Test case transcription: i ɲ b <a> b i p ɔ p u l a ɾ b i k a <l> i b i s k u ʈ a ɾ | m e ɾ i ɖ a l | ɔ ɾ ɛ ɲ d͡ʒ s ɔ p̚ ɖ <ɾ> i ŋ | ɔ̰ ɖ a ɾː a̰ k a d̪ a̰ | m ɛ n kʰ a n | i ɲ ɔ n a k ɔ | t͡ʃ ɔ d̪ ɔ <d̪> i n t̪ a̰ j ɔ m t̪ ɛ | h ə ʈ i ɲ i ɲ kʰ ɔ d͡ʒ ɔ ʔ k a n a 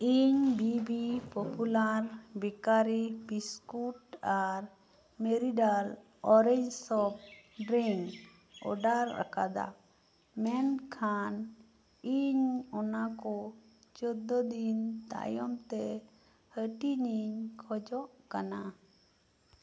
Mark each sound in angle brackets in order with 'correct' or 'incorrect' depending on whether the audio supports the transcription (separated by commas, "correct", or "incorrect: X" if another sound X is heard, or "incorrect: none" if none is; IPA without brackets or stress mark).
incorrect: i, incorrect: ɾ, correct, correct